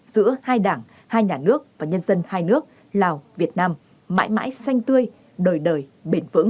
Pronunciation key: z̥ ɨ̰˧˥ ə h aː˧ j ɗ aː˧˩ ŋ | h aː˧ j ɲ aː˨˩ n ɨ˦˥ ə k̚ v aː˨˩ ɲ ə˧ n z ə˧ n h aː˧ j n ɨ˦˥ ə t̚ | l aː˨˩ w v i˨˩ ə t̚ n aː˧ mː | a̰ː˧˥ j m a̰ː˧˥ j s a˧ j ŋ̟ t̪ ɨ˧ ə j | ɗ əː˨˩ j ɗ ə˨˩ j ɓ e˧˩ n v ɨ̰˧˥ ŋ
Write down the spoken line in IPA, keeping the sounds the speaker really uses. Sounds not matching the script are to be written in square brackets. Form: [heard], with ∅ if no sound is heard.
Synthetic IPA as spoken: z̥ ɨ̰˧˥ ə h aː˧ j ɗ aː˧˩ ŋ | h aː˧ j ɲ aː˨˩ n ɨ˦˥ ə k̚ v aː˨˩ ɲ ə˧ n z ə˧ n h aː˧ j n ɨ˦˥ ə [k̚] | l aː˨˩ w v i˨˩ ə t̚ n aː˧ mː | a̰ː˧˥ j m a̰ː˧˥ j s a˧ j ŋ̟ t̪ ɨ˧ ə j | ɗ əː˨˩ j ɗ [əː˨˩] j ɓ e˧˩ n v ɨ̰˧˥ ŋ